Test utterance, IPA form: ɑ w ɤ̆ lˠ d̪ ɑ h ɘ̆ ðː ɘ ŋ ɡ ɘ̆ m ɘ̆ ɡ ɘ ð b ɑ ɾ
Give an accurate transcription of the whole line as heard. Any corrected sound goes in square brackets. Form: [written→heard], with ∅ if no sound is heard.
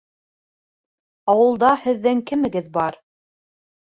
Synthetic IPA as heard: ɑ w ɤ̆ lˠ d̪ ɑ h ɘ̆ ðː ɘ ŋ [ɡ→k] ɘ̆ m ɘ̆ ɡ ɘ ð b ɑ ɾ